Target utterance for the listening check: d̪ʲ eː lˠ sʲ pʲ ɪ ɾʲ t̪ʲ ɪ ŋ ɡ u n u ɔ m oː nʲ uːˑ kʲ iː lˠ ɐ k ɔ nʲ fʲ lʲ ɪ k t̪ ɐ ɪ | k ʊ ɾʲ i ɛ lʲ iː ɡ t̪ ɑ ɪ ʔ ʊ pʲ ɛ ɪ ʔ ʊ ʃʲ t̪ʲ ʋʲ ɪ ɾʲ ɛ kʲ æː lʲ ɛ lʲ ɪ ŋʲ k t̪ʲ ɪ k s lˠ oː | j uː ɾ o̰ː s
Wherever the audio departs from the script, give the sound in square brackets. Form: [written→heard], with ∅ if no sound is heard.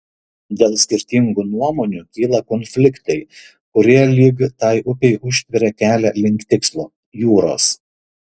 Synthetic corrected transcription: d̪ʲ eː lˠ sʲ [pʲ→kʲ] ɪ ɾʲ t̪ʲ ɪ ŋ ɡ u n u ɔ m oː nʲ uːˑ kʲ iː lˠ ɐ k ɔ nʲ fʲ lʲ ɪ k t̪ ɐ ɪ | k ʊ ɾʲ i ɛ lʲ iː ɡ t̪ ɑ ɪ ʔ ʊ pʲ ɛ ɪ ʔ ʊ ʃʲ t̪ʲ ʋʲ ɪ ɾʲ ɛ kʲ æː lʲ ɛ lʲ ɪ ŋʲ k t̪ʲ ɪ k s lˠ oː | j uː ɾ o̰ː s

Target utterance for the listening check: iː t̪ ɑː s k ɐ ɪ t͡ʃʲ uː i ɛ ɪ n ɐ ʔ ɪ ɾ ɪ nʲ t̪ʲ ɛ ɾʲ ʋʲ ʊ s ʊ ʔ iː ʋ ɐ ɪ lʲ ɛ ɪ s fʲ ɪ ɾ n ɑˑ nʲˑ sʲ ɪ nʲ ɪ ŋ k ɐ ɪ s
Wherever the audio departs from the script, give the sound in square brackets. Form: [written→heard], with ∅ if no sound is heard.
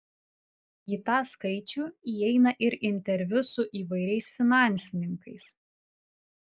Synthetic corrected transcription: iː t̪ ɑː s k ɐ ɪ t͡ʃʲ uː i ɛ ɪ n ɐ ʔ ɪ ɾ ɪ nʲ t̪ʲ ɛ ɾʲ ʋʲ ʊ s ʊ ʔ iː ʋ ɐ ɪ [lʲ→ɾʲ] ɛ ɪ s fʲ ɪ [ɾ→∅] n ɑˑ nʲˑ sʲ ɪ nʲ ɪ ŋ k ɐ ɪ s

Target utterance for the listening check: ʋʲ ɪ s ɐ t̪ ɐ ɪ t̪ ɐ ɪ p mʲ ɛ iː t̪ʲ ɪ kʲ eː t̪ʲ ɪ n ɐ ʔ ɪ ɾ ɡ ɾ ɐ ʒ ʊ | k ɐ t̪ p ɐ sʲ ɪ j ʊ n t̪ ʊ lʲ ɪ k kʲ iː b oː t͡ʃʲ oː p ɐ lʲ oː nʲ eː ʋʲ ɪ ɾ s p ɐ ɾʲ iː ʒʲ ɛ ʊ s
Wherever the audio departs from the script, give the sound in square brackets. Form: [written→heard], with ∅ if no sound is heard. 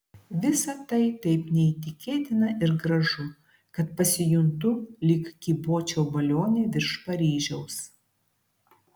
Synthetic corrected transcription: ʋʲ ɪ s ɐ t̪ ɐ ɪ t̪ ɐ ɪ p [mʲ→nʲ] ɛ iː t̪ʲ ɪ kʲ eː t̪ʲ ɪ n ɐ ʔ ɪ ɾ ɡ ɾ ɐ ʒ ʊ | k ɐ t̪ p ɐ sʲ ɪ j ʊ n t̪ ʊ lʲ ɪ k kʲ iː b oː t͡ʃʲ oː [p→b] ɐ lʲ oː nʲ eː ʋʲ ɪ ɾ [s→ʃ] p ɐ ɾʲ iː ʒʲ ɛ ʊ s

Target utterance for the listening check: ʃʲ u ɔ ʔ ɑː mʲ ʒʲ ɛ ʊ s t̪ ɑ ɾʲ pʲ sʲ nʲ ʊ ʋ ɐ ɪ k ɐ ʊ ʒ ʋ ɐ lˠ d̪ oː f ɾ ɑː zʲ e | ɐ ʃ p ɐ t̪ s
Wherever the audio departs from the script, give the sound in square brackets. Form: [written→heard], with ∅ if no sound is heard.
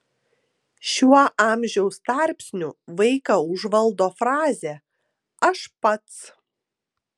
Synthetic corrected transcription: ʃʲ u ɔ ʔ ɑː mʲ ʒʲ ɛ ʊ s t̪ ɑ ɾʲ pʲ sʲ nʲ ʊ ʋ ɐ ɪ k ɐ ʊ ʒ ʋ ɐ lˠ d̪ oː f ɾ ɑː zʲ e | ɐ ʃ p ɐ t̪ s

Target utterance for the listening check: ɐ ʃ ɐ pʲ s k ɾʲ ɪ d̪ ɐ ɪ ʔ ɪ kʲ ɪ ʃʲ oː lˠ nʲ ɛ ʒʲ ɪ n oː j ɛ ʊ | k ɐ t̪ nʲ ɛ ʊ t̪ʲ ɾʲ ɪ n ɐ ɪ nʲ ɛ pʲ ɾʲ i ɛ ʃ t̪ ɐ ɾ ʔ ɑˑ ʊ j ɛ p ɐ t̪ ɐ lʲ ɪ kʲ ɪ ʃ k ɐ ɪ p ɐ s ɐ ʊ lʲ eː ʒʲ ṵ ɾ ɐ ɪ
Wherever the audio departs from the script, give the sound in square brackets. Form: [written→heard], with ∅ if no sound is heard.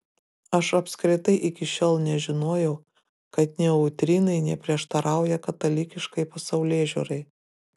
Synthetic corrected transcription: ɐ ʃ ɐ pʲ s k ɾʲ ɪ [d̪→t̪] ɐ ɪ ʔ ɪ kʲ ɪ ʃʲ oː lˠ nʲ ɛ ʒʲ ɪ n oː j ɛ ʊ | k ɐ t̪ nʲ ɛ ʊ t̪ʲ ɾʲ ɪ n ɐ ɪ nʲ ɛ pʲ ɾʲ i ɛ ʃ t̪ ɐ ɾ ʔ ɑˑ ʊ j ɛ [p→k] ɐ t̪ ɐ lʲ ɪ kʲ ɪ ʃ k ɐ ɪ p ɐ s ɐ ʊ lʲ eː ʒʲ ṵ ɾ ɐ ɪ

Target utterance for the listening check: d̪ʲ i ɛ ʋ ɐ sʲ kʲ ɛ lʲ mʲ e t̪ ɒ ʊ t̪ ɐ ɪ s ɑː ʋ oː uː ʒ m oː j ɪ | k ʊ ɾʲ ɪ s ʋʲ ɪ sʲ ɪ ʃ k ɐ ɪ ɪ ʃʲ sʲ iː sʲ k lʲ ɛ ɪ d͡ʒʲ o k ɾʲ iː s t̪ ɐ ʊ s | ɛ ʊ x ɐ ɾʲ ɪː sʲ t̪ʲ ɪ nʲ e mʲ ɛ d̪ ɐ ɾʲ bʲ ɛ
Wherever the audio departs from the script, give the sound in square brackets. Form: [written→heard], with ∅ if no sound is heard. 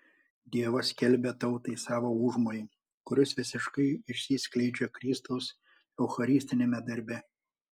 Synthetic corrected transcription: d̪ʲ i ɛ ʋ ɐ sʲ kʲ ɛ lʲ [mʲ→bʲ] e t̪ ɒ ʊ t̪ ɐ ɪ s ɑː ʋ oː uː ʒ m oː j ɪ | k ʊ ɾʲ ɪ s ʋʲ ɪ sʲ ɪ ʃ k ɐ ɪ ɪ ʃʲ sʲ iː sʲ k lʲ ɛ ɪ d͡ʒʲ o k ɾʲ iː s t̪ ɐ ʊ s | ɛ ʊ x ɐ ɾʲ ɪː sʲ t̪ʲ ɪ nʲ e mʲ ɛ d̪ ɐ ɾʲ bʲ ɛ

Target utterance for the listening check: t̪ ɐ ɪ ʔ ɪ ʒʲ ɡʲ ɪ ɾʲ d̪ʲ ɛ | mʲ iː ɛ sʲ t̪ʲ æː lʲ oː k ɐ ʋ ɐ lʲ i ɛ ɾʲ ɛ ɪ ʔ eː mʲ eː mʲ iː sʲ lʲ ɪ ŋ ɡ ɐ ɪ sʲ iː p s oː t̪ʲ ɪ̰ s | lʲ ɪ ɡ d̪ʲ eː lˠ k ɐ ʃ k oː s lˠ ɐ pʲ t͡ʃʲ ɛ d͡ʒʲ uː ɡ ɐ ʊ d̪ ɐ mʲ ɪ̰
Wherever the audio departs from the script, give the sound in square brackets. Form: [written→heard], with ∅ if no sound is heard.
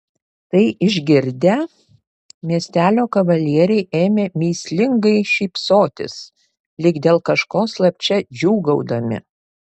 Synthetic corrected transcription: t̪ ɐ ɪ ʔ ɪ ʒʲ ɡʲ ɪ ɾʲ d̪ʲ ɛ | mʲ [iː→i] ɛ sʲ t̪ʲ æː lʲ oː k ɐ ʋ ɐ lʲ i ɛ ɾʲ ɛ ɪ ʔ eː mʲ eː mʲ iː sʲ lʲ ɪ ŋ ɡ ɐ ɪ [sʲ→ʃʲ] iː p s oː t̪ʲ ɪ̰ s | lʲ ɪ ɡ d̪ʲ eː lˠ k ɐ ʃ k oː s lˠ ɐ pʲ t͡ʃʲ ɛ d͡ʒʲ uː ɡ ɐ ʊ d̪ ɐ mʲ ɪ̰

